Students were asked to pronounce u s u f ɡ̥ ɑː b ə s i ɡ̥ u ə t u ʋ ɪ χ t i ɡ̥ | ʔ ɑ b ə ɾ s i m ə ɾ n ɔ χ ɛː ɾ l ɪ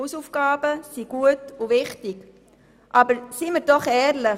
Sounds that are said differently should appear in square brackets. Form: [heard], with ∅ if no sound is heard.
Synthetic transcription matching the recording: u s u f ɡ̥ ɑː b ə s i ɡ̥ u ə t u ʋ ɪ χ t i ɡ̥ | ʔ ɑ b ə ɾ s i m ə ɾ [d] ɔ χ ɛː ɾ l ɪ